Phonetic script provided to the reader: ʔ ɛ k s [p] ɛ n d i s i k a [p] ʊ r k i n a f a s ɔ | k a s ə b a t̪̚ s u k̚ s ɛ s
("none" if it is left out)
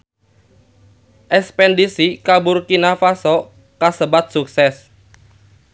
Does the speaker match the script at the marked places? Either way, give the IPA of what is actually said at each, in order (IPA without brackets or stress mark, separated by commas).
p, b